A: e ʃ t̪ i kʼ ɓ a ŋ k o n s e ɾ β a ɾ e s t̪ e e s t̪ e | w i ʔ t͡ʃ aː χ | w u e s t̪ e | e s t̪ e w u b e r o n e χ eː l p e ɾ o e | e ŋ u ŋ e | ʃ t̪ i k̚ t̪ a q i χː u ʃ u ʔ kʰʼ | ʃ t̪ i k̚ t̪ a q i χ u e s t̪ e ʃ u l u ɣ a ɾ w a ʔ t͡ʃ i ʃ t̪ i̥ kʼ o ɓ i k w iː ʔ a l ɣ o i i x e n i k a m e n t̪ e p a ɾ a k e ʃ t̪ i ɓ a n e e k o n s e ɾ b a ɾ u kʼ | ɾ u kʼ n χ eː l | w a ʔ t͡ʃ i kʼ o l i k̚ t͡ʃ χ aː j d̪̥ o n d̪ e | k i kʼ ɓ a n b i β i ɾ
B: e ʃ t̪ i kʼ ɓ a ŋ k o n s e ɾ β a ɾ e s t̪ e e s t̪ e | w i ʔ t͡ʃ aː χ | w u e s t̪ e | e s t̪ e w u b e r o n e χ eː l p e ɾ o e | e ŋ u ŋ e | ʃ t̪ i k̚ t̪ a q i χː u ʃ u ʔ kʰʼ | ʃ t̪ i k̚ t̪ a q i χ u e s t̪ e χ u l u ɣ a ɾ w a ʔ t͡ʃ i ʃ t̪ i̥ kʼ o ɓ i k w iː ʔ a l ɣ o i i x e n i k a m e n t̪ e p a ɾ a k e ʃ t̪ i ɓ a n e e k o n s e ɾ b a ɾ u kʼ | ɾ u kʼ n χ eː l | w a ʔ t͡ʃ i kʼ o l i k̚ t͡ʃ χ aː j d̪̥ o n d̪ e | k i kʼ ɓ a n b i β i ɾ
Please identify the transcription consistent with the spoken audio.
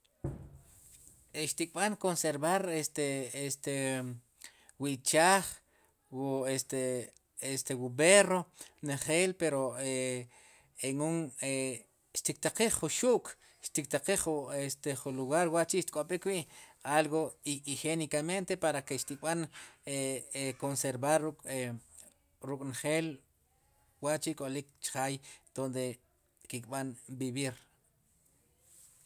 B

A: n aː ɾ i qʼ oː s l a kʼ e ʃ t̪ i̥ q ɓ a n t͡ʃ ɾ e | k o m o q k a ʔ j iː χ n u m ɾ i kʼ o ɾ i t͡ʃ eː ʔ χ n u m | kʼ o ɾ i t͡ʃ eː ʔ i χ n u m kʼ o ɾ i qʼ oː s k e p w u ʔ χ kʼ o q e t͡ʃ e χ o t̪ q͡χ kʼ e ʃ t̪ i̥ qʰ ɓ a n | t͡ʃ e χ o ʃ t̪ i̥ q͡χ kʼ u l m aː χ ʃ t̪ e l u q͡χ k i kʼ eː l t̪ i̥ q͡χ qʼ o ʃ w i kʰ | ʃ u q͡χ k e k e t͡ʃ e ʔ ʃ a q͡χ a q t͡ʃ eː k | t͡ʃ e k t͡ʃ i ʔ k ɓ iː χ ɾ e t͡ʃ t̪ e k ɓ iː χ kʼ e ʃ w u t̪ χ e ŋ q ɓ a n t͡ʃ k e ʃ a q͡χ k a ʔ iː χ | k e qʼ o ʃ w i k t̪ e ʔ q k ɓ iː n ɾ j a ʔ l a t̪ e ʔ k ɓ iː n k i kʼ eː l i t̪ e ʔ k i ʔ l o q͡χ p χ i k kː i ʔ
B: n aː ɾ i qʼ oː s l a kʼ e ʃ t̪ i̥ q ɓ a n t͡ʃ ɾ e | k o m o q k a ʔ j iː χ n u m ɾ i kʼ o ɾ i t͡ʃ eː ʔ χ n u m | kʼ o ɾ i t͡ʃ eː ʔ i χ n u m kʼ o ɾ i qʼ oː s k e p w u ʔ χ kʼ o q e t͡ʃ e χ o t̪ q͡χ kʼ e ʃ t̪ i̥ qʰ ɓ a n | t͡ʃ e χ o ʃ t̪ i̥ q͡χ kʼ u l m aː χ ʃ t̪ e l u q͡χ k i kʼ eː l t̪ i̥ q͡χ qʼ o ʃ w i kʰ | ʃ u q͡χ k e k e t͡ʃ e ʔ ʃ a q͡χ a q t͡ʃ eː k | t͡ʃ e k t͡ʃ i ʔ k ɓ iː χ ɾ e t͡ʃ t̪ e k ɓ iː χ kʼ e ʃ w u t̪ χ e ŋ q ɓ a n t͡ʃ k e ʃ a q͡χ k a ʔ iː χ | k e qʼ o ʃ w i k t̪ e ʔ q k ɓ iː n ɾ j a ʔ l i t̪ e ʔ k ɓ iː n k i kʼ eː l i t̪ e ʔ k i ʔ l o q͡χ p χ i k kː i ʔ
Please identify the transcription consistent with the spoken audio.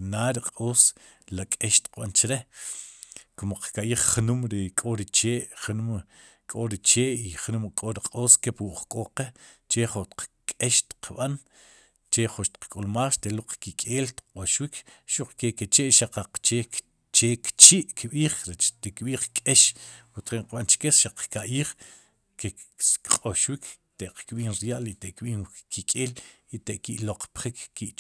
B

